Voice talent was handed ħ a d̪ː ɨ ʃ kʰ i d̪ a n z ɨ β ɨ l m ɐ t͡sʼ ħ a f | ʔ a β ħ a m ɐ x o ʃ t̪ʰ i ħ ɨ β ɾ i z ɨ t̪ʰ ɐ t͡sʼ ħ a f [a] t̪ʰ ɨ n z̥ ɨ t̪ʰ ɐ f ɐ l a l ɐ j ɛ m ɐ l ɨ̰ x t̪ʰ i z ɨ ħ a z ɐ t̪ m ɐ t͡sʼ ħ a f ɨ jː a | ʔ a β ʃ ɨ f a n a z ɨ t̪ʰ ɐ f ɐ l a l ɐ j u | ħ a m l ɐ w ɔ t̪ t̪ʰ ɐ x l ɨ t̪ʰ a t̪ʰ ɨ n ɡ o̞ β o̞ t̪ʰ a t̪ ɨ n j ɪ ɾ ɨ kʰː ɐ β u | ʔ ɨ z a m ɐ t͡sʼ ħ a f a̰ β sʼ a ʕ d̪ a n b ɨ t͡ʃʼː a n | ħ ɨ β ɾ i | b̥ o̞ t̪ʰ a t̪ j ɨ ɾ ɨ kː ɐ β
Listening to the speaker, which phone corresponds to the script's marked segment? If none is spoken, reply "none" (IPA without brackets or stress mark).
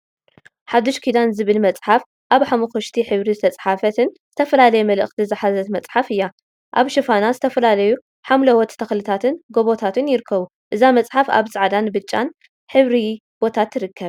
ɐ